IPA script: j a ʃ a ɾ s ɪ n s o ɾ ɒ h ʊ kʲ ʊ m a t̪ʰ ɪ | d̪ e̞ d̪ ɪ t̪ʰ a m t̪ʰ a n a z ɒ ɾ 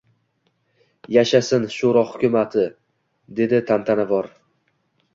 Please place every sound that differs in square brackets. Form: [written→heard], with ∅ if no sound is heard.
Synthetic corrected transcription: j a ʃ a [ɾ→∅] s ɪ n [s→ʃ] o ɾ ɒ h ʊ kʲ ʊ m a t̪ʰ ɪ | d̪ e̞ d̪ ɪ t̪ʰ a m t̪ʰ a n a [z→v] ɒ ɾ